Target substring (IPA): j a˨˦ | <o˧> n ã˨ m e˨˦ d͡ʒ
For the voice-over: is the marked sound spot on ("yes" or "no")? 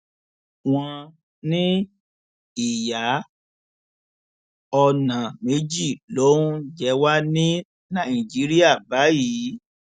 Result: no